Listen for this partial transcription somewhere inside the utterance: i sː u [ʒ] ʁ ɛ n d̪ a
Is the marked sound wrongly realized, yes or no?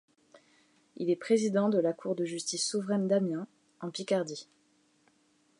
yes